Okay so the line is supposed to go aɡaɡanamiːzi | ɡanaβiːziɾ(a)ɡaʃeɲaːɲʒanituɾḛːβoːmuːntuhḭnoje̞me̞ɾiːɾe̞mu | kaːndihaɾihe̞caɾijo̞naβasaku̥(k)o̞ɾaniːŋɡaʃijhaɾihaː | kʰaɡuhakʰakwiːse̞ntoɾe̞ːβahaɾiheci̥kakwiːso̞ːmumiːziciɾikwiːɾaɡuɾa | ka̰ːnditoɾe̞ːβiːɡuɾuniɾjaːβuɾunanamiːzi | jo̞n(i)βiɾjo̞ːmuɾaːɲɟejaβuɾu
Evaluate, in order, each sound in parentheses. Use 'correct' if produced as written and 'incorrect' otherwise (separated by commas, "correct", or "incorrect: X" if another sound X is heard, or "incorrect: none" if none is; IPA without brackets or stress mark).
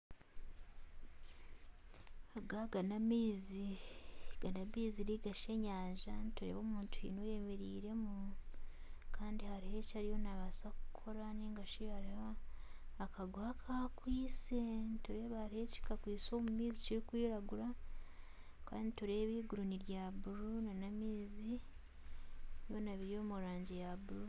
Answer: incorrect: i, incorrect: kʰ, incorrect: a